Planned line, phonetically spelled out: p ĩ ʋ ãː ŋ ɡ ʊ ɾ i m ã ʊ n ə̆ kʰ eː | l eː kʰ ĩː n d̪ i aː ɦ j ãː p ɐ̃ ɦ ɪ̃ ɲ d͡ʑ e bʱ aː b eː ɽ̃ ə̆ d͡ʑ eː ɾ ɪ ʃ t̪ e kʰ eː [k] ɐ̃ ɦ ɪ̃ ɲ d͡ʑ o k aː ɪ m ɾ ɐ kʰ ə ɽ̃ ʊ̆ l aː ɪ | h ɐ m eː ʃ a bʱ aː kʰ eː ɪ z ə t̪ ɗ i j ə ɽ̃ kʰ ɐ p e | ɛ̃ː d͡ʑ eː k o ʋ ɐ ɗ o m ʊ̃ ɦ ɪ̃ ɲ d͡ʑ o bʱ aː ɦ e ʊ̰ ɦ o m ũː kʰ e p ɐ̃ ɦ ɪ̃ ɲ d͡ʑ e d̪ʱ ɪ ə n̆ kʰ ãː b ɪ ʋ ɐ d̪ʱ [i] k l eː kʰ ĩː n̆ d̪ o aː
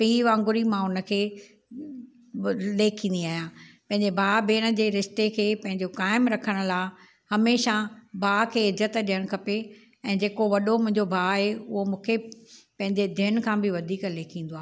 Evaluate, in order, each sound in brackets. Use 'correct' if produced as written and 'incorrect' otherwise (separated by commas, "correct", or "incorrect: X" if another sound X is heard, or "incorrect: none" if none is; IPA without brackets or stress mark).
incorrect: p, incorrect: iː